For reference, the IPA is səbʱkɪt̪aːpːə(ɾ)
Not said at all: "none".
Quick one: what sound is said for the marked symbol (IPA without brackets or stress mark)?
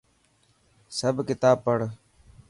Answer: ɽ